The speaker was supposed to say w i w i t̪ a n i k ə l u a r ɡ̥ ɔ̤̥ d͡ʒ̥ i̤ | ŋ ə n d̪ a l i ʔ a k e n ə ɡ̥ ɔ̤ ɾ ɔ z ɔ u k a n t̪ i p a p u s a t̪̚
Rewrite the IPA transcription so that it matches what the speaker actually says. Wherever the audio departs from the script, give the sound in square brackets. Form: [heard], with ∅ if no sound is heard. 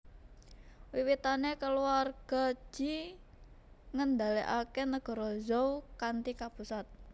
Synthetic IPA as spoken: w i w i t̪ a n [e] k ə l u a r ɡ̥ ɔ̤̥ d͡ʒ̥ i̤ | ŋ ə n d̪ a l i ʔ a k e n ə ɡ̥ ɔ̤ ɾ ɔ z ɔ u k a n t̪ i [k] a p u s a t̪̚